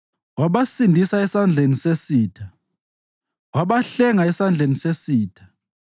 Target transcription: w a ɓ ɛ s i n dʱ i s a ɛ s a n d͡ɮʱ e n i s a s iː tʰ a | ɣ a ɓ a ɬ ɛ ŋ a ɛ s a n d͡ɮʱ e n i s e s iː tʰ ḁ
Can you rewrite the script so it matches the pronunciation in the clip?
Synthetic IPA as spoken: w a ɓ a s i n dʱ i s a ɛ s a n d͡ɮʱ e n i s e s iː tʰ a | w a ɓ a ɬ ɛ ŋ a ɛ s a n d͡ɮʱ e n i s e s iː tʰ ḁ